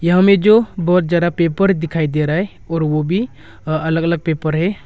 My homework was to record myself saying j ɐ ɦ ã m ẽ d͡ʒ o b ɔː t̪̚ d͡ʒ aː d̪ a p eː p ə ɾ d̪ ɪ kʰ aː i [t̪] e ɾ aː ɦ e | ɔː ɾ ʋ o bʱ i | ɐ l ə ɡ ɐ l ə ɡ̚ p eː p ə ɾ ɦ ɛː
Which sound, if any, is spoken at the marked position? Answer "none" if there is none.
d̪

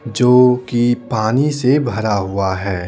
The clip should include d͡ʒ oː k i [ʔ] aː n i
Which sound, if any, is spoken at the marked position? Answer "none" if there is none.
p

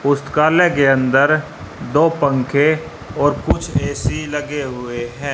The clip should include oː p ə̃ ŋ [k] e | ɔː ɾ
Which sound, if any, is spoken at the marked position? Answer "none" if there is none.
kʰ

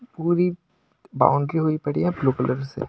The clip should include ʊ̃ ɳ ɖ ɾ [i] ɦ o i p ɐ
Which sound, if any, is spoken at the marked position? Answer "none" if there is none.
i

